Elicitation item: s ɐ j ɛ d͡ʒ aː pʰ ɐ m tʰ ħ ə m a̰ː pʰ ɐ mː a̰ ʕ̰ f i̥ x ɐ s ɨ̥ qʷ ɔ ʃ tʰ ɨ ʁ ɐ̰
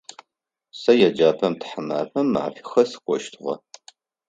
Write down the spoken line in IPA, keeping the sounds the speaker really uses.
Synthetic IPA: s ɐ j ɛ d͡ʒ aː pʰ ɐ m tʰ ħ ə m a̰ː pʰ ɐ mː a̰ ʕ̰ f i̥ x ɐ s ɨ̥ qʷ ɔ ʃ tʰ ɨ ʁ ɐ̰

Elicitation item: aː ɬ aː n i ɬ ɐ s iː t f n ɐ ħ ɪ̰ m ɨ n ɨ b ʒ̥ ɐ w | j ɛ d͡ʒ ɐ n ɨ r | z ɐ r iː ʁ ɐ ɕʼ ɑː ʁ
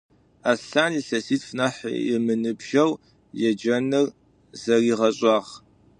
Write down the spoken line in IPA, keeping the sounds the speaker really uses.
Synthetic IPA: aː ɬ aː n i ɬ ɐ s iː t f n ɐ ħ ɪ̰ m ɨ n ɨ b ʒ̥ ɐ w | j ɛ d͡ʒ ɐ n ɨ r | z ɐ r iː ʁ ɐ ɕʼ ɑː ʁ

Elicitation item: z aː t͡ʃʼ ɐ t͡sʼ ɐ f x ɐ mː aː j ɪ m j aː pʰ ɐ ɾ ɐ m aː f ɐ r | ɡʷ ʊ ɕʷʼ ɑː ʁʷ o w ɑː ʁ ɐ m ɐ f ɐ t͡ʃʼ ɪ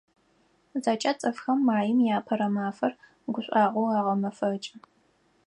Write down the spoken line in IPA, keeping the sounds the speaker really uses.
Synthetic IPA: z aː t͡ʃʼ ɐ t͡sʼ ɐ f x ɐ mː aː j ɪ m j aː pʰ ɐ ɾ ɐ m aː f ɐ r | ɡʷ ʊ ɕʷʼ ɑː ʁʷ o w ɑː ʁ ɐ m ɐ f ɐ t͡ʃʼ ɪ

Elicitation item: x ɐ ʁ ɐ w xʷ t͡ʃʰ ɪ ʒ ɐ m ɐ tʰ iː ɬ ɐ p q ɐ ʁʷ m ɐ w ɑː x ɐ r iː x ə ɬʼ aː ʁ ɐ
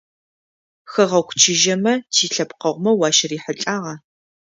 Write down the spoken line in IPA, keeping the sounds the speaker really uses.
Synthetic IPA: x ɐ ʁ ɐ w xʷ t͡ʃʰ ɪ ʒ ɐ m ɐ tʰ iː ɬ ɐ p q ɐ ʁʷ m ɐ w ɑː ʃ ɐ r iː ħ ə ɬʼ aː ʁ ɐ

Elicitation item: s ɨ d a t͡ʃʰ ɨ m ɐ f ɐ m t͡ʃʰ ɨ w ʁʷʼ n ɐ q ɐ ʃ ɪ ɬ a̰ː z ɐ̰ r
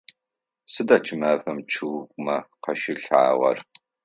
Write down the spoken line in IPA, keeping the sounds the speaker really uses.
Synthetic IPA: s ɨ d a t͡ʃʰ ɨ m ɐ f ɐ m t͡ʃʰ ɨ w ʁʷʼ m ɐ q ɐ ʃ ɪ ɬ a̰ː ʁ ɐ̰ r

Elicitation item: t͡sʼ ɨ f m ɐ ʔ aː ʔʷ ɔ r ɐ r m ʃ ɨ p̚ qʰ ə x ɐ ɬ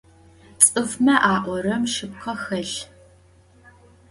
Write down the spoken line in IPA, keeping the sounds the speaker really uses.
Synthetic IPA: t͡sʼ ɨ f m ɐ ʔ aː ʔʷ ɔ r ɐ m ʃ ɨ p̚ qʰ ɐ x ɐ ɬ

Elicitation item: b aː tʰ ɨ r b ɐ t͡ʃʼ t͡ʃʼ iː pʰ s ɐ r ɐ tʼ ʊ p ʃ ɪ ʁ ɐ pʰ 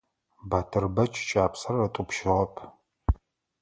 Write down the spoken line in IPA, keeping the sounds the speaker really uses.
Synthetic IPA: b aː tʰ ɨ r b ɐ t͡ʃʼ t͡ʃʼ aː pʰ s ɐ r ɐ tʼ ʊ p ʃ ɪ ʁ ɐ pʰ

